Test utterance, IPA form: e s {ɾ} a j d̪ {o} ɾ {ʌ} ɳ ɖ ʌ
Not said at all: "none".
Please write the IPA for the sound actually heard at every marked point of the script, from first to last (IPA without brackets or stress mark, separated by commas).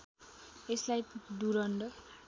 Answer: l, u, ʌ